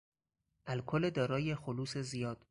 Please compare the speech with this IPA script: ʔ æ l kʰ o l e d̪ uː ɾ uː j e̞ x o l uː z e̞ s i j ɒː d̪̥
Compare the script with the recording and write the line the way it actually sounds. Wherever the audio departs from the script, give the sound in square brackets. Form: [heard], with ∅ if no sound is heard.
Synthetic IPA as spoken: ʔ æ l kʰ o l e d̪ [ɒː] ɾ [ɒː] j e̞ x o l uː [s] e̞ [z] i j ɒː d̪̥